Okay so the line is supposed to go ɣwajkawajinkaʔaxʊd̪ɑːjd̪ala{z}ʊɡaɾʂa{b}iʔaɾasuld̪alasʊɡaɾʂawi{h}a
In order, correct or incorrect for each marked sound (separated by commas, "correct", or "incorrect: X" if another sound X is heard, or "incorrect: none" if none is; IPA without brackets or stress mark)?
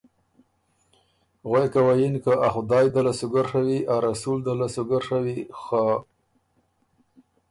incorrect: s, incorrect: w, incorrect: x